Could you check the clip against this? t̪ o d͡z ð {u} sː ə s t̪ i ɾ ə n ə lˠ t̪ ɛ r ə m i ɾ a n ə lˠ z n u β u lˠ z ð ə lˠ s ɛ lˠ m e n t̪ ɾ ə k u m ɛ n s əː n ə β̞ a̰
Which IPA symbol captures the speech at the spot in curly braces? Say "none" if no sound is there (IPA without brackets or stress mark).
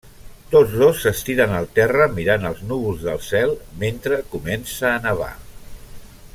o